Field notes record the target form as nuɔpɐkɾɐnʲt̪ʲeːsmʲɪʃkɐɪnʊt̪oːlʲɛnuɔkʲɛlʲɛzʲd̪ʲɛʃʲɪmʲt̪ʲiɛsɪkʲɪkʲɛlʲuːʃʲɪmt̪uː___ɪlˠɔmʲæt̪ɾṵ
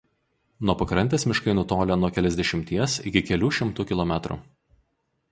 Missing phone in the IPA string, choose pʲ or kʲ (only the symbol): kʲ